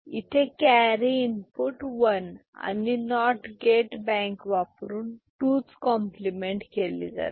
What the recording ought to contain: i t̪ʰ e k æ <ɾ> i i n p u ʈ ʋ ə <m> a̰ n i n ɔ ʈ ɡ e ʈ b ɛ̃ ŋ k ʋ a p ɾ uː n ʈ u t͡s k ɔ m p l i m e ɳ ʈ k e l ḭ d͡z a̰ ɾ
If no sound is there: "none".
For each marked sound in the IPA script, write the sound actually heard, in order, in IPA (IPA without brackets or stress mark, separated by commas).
ɾ, n